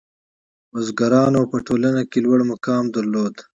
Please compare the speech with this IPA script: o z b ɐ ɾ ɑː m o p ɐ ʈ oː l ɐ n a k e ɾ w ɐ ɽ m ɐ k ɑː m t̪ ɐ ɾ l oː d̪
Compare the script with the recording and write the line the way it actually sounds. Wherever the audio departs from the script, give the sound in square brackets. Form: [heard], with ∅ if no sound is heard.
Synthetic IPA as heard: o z [ɡ] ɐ ɾ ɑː [n] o p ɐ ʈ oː l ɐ n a k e [l] w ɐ ɽ m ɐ k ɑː m [d̪] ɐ ɾ l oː d̪

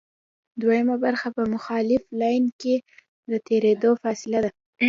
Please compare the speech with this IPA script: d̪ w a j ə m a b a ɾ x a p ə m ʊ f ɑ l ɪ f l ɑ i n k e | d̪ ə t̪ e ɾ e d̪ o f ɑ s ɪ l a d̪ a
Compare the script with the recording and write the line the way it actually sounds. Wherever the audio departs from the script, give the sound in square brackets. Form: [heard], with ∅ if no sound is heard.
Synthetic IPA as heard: d̪ w a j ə m a b a ɾ x a p ə m ʊ [x] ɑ l ɪ f l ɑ [j] n k e | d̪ ə t̪ e ɾ e d̪ o f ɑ s ɪ l a d̪ a

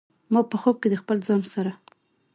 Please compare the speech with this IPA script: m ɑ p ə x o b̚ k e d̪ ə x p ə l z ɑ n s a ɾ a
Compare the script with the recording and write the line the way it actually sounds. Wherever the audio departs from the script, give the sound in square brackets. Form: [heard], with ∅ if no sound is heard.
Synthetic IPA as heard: m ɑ p ə x o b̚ k e d̪ ə x p ə l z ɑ n s a ɾ a

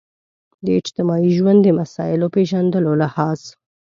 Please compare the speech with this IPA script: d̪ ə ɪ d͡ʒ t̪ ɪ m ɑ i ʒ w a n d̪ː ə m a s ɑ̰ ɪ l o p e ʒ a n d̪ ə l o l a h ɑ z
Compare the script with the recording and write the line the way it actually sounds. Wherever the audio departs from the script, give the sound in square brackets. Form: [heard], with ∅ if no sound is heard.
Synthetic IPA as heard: d̪ ə ɪ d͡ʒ t̪ ɪ m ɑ i ʒ w a n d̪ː ə m a s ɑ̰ ɪ l o p e ʒ a n d̪ ə l o l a h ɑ z

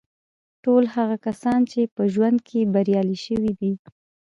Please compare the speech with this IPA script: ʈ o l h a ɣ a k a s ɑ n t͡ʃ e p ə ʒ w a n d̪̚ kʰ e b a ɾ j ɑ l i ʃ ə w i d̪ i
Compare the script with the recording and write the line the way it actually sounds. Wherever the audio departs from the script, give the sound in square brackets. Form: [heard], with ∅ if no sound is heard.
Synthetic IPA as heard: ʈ o l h a ɣ a k a s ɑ n t͡ʃ e p ə ʒ w a n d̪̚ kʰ e b a ɾ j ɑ l i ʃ ə w i d̪ i

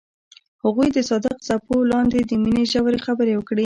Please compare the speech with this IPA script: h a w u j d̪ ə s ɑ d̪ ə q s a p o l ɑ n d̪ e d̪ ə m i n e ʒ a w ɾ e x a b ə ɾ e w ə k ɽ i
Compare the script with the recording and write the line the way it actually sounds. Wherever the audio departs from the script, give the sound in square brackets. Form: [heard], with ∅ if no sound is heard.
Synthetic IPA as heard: h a [ɣ] u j d̪ ə s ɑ d̪ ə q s a p o l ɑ n d̪ e d̪ ə m i n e ʒ a w ɾ e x a b ə ɾ e w ə k ɽ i

